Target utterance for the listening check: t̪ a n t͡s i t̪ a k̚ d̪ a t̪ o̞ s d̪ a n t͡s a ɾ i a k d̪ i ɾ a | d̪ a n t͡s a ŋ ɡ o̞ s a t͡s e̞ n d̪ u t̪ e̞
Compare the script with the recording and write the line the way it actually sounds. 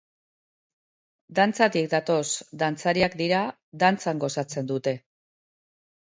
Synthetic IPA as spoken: d̪ a n t͡s a t̪ i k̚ d̪ a t̪ o̞ s d̪ a n t͡s a ɾ i a k d̪ i ɾ a | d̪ a n t͡s a ŋ ɡ o̞ s a t͡s e̞ n d̪ u t̪ e̞